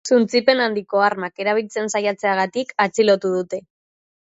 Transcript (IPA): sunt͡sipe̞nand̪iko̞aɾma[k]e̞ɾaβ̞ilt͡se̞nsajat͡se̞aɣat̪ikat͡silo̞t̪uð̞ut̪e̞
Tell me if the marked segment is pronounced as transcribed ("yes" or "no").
yes